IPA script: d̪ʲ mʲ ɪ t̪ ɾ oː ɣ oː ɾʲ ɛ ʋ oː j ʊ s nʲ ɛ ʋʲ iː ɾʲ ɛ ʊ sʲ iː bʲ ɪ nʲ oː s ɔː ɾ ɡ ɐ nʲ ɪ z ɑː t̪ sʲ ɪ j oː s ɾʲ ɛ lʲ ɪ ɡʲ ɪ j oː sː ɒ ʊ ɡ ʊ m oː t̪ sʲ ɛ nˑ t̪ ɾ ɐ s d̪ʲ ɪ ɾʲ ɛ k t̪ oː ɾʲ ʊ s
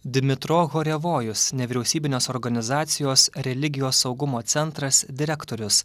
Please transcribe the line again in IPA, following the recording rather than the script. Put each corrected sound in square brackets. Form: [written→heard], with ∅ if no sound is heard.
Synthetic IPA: d̪ʲ mʲ ɪ t̪ ɾ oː ɣ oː ɾʲ ɛ ʋ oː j ʊ s nʲ ɛ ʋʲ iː ɾʲ ɛ ʊ sʲ iː bʲ ɪ nʲ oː s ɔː ɾ ɡ ɐ nʲ ɪ z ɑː t̪ sʲ ɪ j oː s ɾʲ ɛ lʲ ɪ ɡʲ ɪ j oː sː ɒ ʊ ɡ ʊ m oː t̪ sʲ ɛ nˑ t̪ ɾ ɐ s d̪ʲ ɪ ɾʲ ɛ k t̪ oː ɾʲ ʊ s

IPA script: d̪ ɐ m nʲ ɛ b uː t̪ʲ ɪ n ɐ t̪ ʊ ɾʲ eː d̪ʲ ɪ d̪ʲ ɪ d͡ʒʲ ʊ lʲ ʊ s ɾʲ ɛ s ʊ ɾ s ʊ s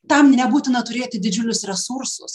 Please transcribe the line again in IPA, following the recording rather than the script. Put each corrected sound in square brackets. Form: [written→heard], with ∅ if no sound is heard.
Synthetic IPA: [d̪→t̪] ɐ m nʲ ɛ b uː t̪ʲ ɪ n ɐ t̪ ʊ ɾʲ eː [d̪ʲ→t̪ʲ] ɪ d̪ʲ ɪ d͡ʒʲ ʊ lʲ ʊ s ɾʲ ɛ s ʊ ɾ s ʊ s

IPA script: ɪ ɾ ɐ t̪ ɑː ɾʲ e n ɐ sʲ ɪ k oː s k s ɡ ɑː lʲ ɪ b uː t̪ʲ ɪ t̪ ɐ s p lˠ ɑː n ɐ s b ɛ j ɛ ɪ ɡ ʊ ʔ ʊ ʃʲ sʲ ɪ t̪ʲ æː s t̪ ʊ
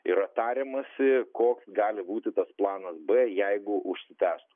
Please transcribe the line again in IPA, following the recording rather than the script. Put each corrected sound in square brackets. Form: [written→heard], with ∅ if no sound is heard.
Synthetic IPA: ɪ ɾ ɐ t̪ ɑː ɾʲ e [n→m] ɐ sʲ ɪ k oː [s→∅] k s ɡ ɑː lʲ ɪ b uː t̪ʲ ɪ t̪ ɐ s p lˠ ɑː n ɐ s b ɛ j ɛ ɪ ɡ ʊ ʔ ʊ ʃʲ sʲ ɪ t̪ʲ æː s t̪ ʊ

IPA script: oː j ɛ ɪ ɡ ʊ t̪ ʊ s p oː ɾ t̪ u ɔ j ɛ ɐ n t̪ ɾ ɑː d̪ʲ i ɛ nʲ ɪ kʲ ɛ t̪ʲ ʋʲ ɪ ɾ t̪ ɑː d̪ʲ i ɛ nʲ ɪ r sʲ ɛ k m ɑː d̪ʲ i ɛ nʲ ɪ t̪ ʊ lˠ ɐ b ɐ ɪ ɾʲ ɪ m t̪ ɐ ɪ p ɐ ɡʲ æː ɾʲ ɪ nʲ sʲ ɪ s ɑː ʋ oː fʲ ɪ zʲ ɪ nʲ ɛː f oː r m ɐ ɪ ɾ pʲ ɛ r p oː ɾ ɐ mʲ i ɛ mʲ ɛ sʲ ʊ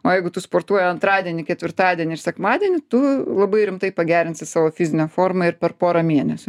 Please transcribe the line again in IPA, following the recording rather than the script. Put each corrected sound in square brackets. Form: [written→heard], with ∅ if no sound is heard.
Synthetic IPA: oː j ɛ ɪ ɡ ʊ t̪ ʊ s p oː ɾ t̪ u ɔ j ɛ ɐ n t̪ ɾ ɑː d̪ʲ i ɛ nʲ ɪ kʲ ɛ t̪ʲ ʋʲ ɪ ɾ t̪ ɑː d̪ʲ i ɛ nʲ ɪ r sʲ ɛ k m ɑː d̪ʲ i ɛ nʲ ɪ t̪ ʊ lˠ ɐ b ɐ ɪ ɾʲ ɪ m t̪ ɐ ɪ p ɐ ɡʲ æː ɾʲ ɪ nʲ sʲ ɪ s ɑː ʋ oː fʲ ɪ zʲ ɪ nʲ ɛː f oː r m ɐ ɪ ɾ pʲ ɛ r p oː ɾ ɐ mʲ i ɛ [mʲ→nʲ] ɛ sʲ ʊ

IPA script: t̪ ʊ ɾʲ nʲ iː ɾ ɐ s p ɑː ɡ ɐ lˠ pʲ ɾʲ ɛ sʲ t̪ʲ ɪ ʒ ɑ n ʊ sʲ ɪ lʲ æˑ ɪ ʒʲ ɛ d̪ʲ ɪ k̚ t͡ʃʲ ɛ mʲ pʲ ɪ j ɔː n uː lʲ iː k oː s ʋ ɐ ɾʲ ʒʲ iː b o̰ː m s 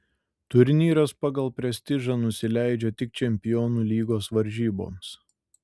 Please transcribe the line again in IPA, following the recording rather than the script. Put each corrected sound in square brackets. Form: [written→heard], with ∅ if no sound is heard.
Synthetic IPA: t̪ ʊ ɾʲ nʲ iː ɾ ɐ s p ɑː ɡ ɐ lˠ pʲ ɾʲ ɛ sʲ t̪ʲ ɪ ʒ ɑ n ʊ sʲ ɪ lʲ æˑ ɪ [ʒʲ→d͡ʒʲ] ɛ [d̪ʲ→t̪ʲ] ɪ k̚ t͡ʃʲ ɛ mʲ pʲ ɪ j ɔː n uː lʲ iː [k→ɡ] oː s ʋ ɐ ɾʲ ʒʲ iː b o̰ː m s

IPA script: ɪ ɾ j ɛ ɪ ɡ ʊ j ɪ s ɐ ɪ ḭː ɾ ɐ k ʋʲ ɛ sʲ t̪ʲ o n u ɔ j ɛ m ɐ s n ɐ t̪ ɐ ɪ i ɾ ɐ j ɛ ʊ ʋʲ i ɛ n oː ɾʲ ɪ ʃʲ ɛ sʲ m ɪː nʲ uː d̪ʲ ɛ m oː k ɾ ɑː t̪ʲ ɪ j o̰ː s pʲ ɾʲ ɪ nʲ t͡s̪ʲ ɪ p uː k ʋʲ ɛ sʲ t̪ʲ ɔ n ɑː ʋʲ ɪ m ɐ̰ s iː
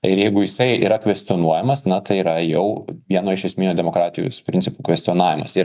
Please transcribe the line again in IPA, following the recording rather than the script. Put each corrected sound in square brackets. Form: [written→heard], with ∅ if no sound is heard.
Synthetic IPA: ɪ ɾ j ɛ ɪ ɡ ʊ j ɪ s ɐ ɪ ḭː ɾ ɐ k ʋʲ ɛ sʲ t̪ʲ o n u ɔ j ɛ m ɐ s n ɐ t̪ ɐ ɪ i ɾ ɐ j ɛ ʊ ʋʲ i ɛ n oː [ɾʲ→∅] ɪ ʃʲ ɛ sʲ m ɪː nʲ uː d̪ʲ ɛ m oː k ɾ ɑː t̪ʲ ɪ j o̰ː s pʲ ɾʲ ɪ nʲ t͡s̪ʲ ɪ p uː k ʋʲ ɛ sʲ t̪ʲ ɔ n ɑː ʋʲ ɪ m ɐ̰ s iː

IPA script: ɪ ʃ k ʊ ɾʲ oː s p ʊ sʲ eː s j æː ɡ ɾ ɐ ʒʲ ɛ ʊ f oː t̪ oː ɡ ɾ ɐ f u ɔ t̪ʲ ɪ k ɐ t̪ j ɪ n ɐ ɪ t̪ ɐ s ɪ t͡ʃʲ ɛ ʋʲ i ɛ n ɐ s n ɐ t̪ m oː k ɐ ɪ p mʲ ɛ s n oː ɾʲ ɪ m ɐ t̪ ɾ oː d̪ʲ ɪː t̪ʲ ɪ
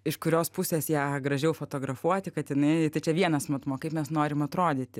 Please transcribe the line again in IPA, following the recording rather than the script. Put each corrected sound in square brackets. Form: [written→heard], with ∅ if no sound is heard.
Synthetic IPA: ɪ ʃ k ʊ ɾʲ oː s p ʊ sʲ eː s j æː ɡ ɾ ɐ ʒʲ ɛ ʊ f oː t̪ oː ɡ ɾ ɐ f u ɔ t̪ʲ ɪ k ɐ t̪ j ɪ n ɐ ɪ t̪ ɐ [s→∅] ɪ t͡ʃʲ ɛ ʋʲ i ɛ n ɐ s [n→m] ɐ t̪ m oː k ɐ ɪ p mʲ ɛ s n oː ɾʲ ɪ m ɐ t̪ ɾ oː d̪ʲ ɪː t̪ʲ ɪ

